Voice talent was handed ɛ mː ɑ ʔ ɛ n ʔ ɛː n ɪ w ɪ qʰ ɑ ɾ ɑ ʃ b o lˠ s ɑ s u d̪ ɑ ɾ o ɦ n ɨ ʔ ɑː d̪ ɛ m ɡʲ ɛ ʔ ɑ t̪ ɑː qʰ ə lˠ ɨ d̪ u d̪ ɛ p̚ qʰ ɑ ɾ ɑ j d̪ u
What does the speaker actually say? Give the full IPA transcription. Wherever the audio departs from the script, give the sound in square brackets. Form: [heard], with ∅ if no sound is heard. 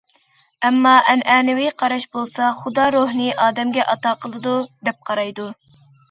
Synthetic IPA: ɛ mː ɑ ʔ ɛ n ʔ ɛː n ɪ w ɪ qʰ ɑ ɾ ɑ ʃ b o lˠ s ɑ [χ] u d̪ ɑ ɾ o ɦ n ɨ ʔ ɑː d̪ ɛ m ɡʲ ɛ ʔ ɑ t̪ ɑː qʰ ə lˠ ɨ d̪ u d̪ ɛ p̚ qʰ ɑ ɾ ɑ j d̪ u

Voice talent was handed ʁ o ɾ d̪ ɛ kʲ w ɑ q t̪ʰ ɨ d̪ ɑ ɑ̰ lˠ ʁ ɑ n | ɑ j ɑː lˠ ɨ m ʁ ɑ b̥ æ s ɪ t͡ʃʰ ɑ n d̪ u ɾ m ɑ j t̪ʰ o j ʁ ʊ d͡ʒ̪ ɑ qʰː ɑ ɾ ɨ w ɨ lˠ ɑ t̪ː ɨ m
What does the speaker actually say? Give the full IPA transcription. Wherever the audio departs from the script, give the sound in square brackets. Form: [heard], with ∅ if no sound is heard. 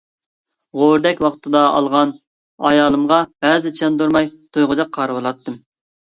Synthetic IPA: ʁ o ɾ d̪ ɛ kʲ w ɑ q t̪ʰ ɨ d̪ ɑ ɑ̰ lˠ ʁ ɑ n | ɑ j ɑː lˠ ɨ m ʁ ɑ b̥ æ [z] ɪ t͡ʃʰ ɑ n d̪ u ɾ m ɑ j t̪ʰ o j ʁ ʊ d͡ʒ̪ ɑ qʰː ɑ ɾ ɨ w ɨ lˠ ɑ t̪ː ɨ m

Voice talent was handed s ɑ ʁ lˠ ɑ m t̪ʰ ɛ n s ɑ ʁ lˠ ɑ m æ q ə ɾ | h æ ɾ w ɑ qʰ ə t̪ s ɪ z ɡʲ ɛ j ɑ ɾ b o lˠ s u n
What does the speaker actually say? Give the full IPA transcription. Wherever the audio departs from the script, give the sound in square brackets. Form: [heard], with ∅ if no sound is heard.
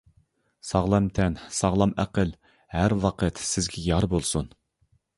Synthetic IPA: s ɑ ʁ lˠ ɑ m t̪ʰ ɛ n s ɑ ʁ lˠ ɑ m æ q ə [l] | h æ ɾ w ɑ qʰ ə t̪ s ɪ z ɡʲ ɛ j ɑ ɾ b o lˠ s u n

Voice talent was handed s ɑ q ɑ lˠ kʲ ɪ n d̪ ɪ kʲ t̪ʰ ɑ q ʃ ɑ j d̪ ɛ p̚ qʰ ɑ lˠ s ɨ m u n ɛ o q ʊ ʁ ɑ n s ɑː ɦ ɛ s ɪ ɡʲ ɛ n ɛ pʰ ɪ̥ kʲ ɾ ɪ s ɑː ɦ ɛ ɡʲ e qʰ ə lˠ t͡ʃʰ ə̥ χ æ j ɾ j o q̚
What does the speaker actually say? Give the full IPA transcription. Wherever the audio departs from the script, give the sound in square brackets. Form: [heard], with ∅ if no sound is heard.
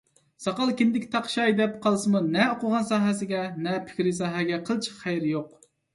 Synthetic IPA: s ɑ q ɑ lˠ kʲ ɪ n d̪ ɪ kʲ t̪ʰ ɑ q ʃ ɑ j d̪ ɛ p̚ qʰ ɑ lˠ s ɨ m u n ɛ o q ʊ ʁ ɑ n s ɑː ɦ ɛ s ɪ ɡʲ ɛ n ɛ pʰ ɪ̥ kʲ ɾ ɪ s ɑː ɦ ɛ ɡʲ [ɛ] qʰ ə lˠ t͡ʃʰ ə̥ χ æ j ɾ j o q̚

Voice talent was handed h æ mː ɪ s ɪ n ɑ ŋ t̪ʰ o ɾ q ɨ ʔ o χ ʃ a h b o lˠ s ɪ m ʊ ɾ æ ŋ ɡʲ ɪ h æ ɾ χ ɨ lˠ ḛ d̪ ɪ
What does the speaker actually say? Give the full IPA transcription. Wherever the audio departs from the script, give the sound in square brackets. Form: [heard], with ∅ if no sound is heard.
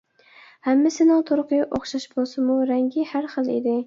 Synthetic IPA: h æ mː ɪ s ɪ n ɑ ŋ t̪ʰ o ɾ q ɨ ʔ o χ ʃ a [ʃ] b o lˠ s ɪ m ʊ ɾ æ ŋ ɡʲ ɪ h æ ɾ χ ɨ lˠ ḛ d̪ ɪ

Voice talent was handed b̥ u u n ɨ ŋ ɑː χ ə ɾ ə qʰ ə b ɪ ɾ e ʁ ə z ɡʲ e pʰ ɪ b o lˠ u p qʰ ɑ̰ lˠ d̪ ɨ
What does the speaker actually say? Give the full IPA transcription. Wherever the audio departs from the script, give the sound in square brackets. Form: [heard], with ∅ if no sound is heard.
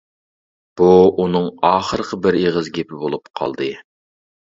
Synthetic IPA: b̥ u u n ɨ ŋ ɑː χ ə ɾ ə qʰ ə b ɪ ɾ e ʁ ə z ɡʲ e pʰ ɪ b o lˠ u p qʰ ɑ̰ lˠ d̪ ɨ

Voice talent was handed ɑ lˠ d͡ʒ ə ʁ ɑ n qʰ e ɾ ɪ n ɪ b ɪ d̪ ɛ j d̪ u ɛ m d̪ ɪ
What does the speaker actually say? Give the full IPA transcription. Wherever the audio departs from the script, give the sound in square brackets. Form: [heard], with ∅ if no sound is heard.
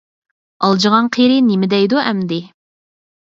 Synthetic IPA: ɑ lˠ d͡ʒ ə ʁ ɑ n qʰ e ɾ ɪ n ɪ [m] ɪ d̪ ɛ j d̪ u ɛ m d̪ ɪ

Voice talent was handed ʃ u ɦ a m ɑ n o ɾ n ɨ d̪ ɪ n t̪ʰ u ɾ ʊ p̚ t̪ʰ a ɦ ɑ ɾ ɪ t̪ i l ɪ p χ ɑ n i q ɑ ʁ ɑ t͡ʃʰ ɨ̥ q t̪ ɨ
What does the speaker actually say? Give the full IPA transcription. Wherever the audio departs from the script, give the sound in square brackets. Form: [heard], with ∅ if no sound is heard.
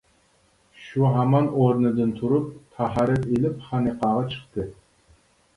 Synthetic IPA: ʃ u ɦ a m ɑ n o ɾ n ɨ d̪ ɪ n t̪ʰ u ɾ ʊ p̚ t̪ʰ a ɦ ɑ ɾ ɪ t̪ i l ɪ p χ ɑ n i q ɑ ʁ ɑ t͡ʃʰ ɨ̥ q t̪ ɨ

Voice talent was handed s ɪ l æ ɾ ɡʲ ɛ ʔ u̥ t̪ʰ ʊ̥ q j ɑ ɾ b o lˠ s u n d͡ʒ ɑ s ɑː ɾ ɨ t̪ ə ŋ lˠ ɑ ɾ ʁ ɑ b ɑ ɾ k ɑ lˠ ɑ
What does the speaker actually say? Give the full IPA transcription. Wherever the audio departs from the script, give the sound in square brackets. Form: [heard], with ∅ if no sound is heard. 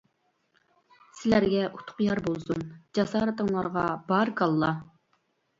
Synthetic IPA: s ɪ l æ ɾ ɡʲ ɛ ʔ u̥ t̪ʰ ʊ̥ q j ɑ ɾ b o lˠ s u n d͡ʒ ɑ s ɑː ɾ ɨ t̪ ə ŋ lˠ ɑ ɾ ʁ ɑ b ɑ ɾ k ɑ [lˠː] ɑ

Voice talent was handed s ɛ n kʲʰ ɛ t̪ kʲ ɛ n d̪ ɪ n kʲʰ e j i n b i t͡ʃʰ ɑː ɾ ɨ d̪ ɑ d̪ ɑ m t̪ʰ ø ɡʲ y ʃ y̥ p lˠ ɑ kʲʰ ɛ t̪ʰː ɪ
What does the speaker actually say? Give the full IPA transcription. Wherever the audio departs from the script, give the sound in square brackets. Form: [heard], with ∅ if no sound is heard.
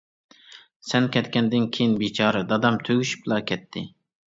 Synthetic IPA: s ɛ n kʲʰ ɛ t̪ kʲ ɛ n d̪ ɪ n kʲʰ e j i n b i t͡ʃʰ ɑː ɾ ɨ d̪ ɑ d̪ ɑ m t̪ʰ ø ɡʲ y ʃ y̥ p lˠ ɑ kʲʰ ɛ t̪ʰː ɪ

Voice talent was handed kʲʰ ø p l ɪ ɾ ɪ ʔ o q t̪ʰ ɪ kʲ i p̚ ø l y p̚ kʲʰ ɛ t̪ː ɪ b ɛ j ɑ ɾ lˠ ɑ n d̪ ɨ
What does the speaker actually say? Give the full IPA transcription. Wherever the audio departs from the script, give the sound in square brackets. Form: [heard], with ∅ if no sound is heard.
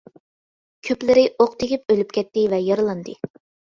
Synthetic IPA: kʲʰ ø p l ɪ ɾ ɪ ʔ o q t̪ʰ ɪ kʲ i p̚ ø l y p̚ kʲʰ ɛ t̪ː ɪ [v] ɛ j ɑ ɾ lˠ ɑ n d̪ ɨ

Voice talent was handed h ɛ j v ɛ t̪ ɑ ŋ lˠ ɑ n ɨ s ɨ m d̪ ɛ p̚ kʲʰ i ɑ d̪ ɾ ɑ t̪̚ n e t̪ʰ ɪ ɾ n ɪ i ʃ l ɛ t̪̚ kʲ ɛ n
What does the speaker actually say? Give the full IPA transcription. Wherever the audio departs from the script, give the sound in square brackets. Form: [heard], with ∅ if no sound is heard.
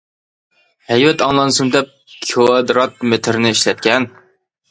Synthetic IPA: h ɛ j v ɛ t̪ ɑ ŋ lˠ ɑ n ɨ s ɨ m d̪ ɛ p̚ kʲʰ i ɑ d̪ ɾ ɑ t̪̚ [m] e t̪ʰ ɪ ɾ n ɪ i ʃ l ɛ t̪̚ kʲ ɛ n

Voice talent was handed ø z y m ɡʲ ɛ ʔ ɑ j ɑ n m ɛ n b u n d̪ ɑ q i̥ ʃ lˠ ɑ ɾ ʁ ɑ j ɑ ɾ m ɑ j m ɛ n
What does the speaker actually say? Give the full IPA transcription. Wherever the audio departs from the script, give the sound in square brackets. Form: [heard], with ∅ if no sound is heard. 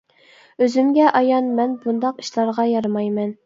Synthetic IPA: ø z y m ɡʲ ɛ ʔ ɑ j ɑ n m ɛ n b u n d̪ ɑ q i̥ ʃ lˠ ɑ ɾ ʁ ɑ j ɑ ɾ m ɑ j m ɛ n

